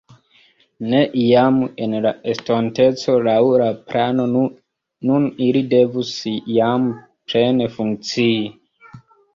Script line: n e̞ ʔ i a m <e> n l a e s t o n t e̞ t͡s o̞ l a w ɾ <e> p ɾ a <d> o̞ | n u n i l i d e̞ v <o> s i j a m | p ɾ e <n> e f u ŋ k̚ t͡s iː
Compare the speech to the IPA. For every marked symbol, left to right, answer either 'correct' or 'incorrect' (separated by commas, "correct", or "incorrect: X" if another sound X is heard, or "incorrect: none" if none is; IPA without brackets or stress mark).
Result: correct, incorrect: a, incorrect: n, incorrect: u, correct